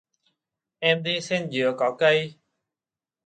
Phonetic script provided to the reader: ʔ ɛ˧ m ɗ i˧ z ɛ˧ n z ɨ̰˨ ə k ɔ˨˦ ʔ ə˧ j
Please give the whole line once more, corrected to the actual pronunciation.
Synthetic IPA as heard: ʔ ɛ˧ m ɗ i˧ s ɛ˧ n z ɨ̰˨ ə k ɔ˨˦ k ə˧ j

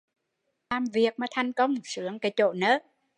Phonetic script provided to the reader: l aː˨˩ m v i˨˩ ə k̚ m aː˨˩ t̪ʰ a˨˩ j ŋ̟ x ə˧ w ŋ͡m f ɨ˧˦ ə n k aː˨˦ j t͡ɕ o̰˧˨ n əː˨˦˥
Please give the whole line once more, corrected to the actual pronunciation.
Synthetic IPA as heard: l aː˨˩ m v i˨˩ ə k̚ m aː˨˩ t̪ʰ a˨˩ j ŋ̟ k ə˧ w ŋ͡m s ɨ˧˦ ə ŋ k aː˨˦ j t͡ɕ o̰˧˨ n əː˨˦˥

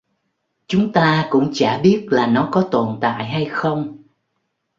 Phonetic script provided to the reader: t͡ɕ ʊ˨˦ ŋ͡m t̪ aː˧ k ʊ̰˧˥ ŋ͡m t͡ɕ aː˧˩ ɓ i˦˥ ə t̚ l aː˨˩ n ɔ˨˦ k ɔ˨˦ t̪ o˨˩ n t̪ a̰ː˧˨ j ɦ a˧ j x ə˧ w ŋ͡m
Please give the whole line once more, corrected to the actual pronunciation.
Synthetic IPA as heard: t͡ɕ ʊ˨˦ ŋ͡m t̪ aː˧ k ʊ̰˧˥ ŋ͡m t͡ɕ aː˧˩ ɓ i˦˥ ə t̚ l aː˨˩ n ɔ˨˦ k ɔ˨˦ t̪ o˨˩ n t̪ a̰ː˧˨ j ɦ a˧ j x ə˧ w ŋ͡m

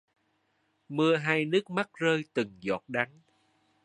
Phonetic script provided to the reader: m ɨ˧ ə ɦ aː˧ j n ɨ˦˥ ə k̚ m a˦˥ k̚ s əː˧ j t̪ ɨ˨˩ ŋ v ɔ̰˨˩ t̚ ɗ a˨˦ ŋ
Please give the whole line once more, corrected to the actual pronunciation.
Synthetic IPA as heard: m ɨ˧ ə ɦ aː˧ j n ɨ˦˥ ə k̚ m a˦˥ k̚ z əː˧ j t̪ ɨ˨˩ ŋ z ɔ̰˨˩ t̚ ɗ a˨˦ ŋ

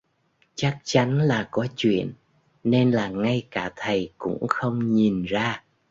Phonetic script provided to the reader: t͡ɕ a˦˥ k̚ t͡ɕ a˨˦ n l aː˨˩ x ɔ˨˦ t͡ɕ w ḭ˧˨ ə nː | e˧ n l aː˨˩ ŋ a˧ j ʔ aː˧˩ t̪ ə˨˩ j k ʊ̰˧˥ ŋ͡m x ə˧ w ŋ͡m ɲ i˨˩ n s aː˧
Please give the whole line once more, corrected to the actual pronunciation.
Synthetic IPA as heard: t͡ɕ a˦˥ k̚ t͡ɕ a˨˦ n l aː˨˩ k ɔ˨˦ t͡ɕ w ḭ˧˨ ə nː | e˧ n l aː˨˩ ŋ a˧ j k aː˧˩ t̪ʰ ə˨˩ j k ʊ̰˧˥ ŋ͡m x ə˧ w ŋ͡m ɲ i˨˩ n z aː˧

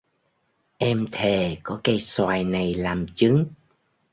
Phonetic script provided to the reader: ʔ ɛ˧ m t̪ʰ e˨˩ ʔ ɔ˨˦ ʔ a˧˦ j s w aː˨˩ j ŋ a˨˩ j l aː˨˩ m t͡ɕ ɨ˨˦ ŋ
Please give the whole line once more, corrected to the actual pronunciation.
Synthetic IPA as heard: ʔ ɛ˧ m t̪ʰ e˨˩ k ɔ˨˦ k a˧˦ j s w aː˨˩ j n a˨˩ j l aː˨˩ m t͡ɕ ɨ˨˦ ŋ

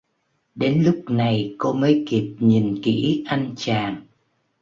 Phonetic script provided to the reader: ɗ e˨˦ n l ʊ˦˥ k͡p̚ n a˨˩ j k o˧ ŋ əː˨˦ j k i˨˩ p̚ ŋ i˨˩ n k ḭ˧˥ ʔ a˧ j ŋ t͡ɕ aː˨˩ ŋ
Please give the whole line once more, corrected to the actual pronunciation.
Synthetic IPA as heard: ɗ e˨˦ n l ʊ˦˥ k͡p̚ n a˨˩ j k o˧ m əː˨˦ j k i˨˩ p̚ ɲ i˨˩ n k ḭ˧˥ ʔ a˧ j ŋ t͡ɕ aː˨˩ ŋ

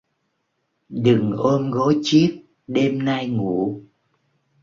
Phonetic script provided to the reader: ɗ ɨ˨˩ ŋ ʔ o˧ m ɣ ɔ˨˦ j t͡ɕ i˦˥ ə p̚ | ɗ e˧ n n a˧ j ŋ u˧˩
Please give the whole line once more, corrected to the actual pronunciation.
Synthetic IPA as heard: ɗ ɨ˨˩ ŋ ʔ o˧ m ɣ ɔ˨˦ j t͡ɕ i˦˥ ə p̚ | ɗ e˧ m n a˧ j ŋ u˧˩

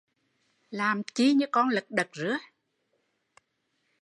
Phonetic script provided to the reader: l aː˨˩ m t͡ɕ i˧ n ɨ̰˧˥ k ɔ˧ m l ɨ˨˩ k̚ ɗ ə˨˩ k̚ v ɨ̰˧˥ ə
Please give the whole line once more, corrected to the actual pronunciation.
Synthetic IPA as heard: l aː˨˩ m t͡ɕ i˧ ɲ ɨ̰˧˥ k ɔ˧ n l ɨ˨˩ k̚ ɗ ə˨˩ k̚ z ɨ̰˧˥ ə

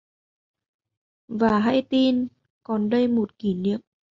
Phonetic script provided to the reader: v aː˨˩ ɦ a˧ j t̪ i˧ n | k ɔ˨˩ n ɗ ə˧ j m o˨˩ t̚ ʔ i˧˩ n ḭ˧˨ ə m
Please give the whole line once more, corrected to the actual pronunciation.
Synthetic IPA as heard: v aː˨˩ ɦ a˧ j t̪ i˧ n | k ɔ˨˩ n ɗ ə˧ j m o˨˩ t̚ k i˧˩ n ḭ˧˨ ə m

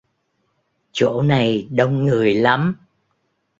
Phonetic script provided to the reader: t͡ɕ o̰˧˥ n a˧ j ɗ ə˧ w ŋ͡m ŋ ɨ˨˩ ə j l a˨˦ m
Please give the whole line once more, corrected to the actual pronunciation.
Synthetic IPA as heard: t͡ɕ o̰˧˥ n a˨˩ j ɗ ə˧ w ŋ͡m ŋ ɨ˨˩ ə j l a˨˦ m

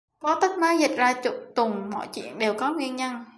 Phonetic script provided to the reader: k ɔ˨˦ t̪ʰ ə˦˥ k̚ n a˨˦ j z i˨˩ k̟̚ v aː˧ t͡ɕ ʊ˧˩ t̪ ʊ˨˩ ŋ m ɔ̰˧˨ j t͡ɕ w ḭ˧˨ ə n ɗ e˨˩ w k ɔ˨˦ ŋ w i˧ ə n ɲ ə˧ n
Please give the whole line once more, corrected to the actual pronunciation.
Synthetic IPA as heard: k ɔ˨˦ t̪ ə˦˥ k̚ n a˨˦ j z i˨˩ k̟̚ z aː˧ t͡ɕ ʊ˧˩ t̪ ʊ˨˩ ŋ͡m m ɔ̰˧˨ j t͡ɕ w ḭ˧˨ ə n ɗ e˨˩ w k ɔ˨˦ ŋ w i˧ ə n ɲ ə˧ n

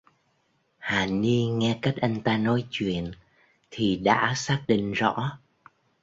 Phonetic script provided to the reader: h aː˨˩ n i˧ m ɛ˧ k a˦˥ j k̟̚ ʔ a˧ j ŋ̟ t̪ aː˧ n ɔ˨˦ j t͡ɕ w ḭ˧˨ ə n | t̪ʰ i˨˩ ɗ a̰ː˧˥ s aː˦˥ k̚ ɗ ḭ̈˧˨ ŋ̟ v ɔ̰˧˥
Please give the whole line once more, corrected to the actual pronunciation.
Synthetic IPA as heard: h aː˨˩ n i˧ ŋ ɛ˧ k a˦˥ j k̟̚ ʔ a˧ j ŋ̟ t̪ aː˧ n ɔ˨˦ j t͡ɕ w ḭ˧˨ ə n | t̪ʰ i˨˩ ɗ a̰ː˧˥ s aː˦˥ k̚ ɗ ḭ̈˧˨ ŋ̟ z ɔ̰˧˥

